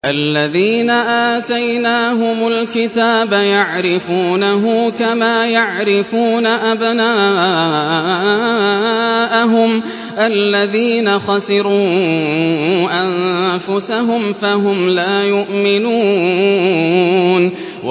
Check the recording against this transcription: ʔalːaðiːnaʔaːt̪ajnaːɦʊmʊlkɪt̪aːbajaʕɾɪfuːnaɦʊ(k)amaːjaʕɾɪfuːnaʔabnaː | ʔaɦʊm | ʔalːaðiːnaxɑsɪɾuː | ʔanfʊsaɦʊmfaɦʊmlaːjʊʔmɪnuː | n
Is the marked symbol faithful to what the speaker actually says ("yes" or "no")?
yes